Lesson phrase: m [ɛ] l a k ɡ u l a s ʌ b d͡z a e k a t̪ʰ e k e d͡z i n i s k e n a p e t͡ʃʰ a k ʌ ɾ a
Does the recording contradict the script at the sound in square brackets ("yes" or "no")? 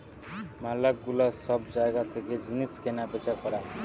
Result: yes